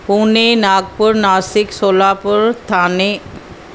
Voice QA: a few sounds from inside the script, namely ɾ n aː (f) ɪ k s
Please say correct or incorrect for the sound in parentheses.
incorrect